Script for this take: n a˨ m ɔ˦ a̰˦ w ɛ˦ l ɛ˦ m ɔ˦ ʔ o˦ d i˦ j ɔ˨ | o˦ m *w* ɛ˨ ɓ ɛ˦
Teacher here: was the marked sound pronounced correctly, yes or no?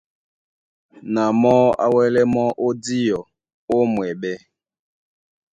yes